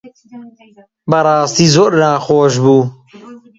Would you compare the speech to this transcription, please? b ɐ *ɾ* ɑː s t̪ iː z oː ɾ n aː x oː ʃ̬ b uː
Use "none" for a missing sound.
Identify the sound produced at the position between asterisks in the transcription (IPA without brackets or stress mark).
ɾ